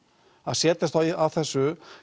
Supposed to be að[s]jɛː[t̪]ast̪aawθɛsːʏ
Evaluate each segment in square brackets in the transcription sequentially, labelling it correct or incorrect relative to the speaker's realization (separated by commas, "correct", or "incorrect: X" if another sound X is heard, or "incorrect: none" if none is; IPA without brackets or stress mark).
correct, correct